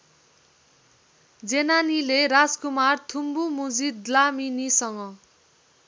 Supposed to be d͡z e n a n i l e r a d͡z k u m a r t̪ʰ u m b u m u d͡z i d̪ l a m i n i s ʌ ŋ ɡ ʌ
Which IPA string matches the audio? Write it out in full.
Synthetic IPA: d͡z e n a n i l e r a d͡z k u m a r t̪ʰ u m b u m u d͡z i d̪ l a m i n i s ʌ ŋ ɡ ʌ